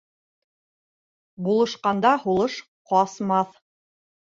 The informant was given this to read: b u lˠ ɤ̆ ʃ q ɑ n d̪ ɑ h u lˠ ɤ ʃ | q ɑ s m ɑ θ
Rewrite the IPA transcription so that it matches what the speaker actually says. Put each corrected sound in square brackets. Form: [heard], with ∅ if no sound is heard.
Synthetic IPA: b u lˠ ɤ̆ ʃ q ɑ n d̪ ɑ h u lˠ ɤ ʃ | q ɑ s m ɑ θ

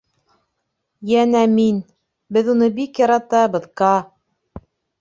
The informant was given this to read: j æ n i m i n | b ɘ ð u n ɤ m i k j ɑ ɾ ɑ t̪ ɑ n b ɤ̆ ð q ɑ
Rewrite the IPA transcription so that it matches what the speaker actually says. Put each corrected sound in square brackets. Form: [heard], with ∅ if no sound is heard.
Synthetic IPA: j æ n [æ] m i n | b ɘ ð u n ɤ [b] i k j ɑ ɾ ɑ t̪ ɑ [∅] b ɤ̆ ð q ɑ

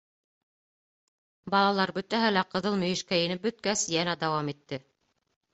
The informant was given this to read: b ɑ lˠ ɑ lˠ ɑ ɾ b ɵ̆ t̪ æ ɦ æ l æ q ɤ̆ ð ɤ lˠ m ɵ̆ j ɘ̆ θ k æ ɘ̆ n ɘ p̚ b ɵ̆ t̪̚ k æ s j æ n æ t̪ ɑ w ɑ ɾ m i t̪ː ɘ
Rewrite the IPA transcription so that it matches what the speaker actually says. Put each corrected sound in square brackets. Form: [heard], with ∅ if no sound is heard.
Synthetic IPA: b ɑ lˠ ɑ lˠ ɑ ɾ b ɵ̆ t̪ æ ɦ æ l æ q ɤ̆ ð ɤ lˠ m ɵ̆ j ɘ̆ [ʃ] k æ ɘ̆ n ɘ p̚ b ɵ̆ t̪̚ k æ s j æ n æ [d̪] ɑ w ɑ [∅] m i t̪ː ɘ

